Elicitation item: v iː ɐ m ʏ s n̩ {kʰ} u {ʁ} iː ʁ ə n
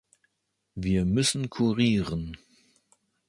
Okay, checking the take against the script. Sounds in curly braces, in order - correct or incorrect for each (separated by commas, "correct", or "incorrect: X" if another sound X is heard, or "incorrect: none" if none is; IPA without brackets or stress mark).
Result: correct, correct